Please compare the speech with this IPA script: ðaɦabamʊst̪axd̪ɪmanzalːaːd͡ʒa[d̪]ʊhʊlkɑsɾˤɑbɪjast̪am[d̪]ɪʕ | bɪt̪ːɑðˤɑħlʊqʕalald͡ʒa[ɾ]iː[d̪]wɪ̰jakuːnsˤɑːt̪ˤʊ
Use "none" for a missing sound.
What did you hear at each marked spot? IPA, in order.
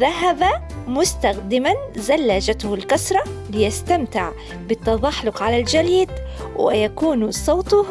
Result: t̪, t̪, l, d̪

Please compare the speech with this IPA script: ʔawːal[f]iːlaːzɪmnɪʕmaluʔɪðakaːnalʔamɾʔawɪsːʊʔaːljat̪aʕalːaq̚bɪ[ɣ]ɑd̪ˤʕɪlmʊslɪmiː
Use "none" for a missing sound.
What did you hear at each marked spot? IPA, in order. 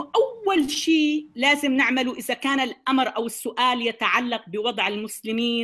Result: ʃ, w

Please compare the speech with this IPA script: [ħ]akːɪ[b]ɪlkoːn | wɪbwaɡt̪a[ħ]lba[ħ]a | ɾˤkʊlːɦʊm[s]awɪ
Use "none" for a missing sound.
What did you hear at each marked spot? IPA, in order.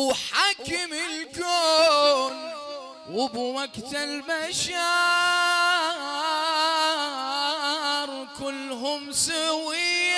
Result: ħ, m, none, ʃ, s

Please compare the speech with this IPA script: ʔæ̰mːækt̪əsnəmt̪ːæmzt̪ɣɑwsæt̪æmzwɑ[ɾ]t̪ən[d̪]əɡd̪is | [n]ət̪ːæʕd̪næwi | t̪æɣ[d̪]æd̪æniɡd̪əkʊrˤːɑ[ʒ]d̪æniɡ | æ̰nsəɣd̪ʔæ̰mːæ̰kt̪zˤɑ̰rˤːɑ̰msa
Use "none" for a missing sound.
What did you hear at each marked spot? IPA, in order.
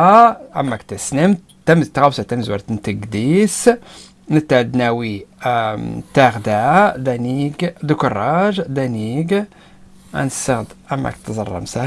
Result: ɾ, t̪, n, d̪, ʒ

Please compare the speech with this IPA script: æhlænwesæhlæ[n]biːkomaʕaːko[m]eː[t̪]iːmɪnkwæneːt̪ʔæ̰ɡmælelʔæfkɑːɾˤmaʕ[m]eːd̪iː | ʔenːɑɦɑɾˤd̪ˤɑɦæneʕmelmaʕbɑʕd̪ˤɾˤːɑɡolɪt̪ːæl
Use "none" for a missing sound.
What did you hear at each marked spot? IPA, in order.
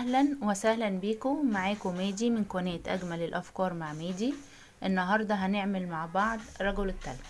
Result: n, m, d̪, m

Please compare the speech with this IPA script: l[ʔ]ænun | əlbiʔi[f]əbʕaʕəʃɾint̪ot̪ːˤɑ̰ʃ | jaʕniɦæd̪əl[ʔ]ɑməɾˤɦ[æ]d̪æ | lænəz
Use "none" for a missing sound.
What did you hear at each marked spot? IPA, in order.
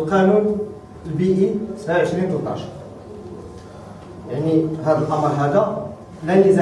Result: q, s, ʔ, æ

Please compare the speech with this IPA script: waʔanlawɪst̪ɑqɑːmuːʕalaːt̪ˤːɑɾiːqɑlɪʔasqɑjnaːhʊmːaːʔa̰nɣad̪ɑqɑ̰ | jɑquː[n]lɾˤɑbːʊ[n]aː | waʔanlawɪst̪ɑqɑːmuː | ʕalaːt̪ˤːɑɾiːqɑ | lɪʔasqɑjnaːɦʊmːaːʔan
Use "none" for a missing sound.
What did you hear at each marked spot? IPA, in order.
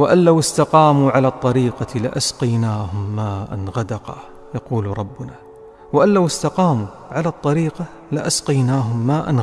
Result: none, n

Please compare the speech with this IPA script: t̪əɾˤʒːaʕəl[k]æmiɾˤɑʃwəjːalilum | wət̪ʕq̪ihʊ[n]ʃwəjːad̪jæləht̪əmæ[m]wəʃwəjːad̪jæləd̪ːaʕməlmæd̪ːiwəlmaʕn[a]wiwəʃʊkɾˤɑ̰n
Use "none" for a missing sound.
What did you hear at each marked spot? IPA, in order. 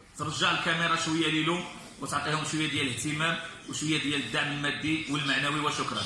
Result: k, m, m, æ

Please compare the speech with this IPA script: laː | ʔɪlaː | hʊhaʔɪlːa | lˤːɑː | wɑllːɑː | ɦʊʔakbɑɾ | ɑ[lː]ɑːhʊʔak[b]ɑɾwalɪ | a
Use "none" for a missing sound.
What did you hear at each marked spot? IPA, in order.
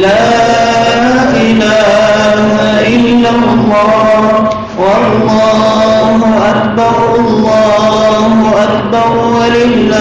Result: lː, b

